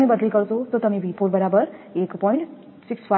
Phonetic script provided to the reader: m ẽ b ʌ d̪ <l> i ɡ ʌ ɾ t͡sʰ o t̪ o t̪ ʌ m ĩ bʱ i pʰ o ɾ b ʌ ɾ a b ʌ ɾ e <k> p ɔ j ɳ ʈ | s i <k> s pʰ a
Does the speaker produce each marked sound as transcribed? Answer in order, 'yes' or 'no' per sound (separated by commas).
yes, yes, yes